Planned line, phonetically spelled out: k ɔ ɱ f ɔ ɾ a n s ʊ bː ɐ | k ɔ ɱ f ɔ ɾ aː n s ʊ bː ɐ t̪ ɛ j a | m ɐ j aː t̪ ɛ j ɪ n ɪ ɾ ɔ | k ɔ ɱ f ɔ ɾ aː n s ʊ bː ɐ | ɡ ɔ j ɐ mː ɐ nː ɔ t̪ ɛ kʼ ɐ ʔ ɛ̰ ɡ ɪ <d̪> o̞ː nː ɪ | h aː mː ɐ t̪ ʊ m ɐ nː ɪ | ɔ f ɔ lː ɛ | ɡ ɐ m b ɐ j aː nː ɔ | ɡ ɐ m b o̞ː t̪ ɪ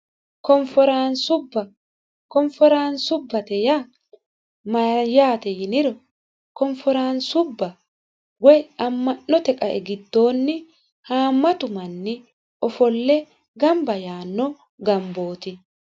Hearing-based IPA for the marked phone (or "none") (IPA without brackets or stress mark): d̪ː